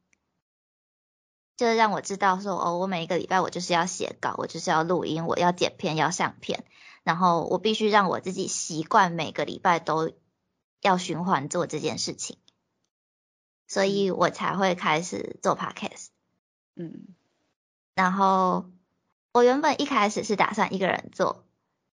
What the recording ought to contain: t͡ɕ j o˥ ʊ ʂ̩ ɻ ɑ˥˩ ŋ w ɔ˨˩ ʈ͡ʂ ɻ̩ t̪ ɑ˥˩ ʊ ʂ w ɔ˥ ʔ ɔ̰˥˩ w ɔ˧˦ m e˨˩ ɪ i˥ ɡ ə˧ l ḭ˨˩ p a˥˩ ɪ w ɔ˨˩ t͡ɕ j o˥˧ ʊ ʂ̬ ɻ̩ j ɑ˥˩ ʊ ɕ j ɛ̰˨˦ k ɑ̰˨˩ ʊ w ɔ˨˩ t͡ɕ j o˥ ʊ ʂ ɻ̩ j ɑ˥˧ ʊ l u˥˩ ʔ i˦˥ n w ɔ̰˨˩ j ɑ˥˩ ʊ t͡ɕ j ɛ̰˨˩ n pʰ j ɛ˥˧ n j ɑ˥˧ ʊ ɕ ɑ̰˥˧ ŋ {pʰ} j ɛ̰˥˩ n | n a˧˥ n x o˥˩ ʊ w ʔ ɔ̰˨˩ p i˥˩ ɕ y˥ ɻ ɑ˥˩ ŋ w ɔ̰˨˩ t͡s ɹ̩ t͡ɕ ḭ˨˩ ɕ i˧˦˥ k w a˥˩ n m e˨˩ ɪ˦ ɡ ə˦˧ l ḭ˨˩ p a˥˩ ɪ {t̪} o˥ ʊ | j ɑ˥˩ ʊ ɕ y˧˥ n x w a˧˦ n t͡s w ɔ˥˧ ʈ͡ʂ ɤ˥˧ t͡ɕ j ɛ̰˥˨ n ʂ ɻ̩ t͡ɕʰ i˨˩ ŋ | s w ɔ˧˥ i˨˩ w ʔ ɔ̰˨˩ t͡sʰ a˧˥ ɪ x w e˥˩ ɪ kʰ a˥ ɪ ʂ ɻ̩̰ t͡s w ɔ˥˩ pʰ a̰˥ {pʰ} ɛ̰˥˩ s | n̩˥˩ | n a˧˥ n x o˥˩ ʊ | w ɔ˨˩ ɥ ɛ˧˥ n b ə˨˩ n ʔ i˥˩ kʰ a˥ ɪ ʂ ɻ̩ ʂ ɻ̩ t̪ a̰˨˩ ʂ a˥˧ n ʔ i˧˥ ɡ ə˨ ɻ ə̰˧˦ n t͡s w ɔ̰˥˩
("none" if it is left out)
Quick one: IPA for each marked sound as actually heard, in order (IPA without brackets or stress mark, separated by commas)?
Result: pʰ, t̪, kʰ